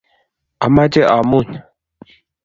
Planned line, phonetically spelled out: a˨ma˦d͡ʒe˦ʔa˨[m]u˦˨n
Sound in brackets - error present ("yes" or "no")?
no